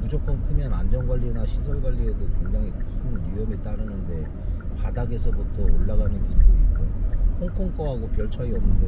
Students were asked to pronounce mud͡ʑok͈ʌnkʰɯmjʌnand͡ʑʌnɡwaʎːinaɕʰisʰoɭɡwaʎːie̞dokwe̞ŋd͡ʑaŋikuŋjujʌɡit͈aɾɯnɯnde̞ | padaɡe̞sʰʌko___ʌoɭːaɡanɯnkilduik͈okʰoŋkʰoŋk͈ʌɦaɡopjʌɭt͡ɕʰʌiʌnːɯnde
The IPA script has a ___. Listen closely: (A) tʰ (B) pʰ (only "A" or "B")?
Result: A